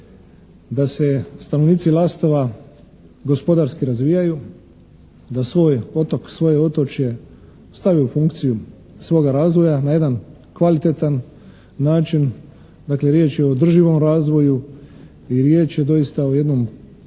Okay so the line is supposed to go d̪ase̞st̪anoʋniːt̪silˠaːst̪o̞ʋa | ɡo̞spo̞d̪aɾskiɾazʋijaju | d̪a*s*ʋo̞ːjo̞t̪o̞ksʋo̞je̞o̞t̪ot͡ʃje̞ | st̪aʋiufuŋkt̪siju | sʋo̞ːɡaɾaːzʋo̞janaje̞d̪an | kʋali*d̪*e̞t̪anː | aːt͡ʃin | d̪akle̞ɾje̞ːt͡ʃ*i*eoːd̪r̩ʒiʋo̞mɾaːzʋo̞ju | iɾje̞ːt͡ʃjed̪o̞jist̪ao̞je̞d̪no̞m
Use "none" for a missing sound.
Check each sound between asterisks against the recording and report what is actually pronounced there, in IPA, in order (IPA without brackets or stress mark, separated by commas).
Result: s, t̪, j